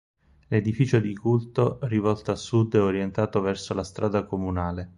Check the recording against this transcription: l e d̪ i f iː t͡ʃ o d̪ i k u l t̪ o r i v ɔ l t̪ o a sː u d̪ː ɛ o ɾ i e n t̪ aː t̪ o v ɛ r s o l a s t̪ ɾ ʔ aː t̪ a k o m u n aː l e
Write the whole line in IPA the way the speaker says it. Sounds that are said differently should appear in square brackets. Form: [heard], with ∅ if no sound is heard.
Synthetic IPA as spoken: l e d̪ i f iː t͡ʃ o d̪ i k u l t̪ o r i v ɔ l t̪ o a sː u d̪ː ɛ o ɾ [j] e n t̪ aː t̪ o v ɛ r s o l a s t̪ ɾ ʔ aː [d̪] a k o m u n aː l e